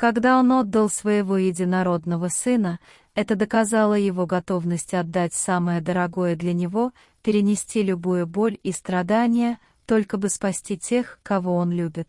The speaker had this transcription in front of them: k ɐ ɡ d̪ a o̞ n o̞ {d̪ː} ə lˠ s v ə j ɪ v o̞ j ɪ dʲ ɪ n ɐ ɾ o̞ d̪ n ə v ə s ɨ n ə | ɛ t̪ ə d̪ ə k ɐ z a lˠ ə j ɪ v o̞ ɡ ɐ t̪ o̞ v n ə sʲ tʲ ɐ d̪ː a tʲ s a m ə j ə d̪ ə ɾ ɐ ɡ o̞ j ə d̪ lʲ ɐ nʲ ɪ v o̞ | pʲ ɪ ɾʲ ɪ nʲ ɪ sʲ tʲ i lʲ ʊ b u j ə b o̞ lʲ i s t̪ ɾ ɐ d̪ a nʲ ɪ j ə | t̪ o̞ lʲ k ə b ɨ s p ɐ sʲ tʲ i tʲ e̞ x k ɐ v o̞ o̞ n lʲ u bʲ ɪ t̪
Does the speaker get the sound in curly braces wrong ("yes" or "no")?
no